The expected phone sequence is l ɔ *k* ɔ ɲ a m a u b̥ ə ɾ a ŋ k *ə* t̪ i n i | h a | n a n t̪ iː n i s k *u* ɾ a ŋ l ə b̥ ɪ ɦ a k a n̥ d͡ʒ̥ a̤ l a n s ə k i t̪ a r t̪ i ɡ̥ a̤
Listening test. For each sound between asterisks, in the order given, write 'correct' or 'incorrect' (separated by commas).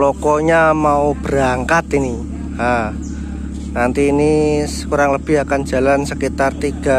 correct, incorrect, correct